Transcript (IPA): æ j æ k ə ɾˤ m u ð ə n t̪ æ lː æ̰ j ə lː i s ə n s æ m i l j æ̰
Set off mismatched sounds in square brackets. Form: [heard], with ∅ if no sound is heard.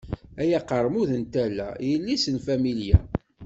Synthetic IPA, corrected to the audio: æ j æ [q] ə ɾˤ m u ð ə n t̪ æ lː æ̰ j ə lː i s ə n [f] æ m i l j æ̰